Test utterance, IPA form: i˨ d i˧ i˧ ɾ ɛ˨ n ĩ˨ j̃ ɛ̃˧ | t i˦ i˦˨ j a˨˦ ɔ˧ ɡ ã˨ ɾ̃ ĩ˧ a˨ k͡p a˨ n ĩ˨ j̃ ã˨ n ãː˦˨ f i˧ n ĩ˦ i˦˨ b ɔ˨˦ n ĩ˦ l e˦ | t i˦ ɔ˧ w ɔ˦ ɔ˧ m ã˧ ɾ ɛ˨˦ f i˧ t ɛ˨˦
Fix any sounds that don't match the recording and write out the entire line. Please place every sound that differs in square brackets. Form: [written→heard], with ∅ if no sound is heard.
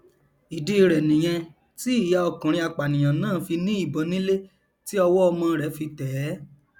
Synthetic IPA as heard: i˨ d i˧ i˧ ɾ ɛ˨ n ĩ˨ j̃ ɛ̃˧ | t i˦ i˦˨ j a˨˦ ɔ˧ [ɡ→k] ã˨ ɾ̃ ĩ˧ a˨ k͡p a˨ n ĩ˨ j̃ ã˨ n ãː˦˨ f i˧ n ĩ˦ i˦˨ b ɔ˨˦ n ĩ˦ l e˦ | t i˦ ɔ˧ w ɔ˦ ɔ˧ m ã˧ ɾ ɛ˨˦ f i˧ t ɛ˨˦